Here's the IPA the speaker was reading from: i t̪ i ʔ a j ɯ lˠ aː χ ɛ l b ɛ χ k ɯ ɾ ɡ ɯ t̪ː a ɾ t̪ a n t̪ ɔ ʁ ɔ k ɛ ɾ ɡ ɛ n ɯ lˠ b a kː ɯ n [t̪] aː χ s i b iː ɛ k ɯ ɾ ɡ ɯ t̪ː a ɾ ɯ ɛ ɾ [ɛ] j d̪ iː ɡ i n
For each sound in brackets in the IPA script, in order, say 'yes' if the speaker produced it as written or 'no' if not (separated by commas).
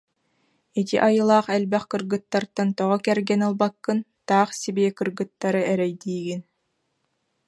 yes, yes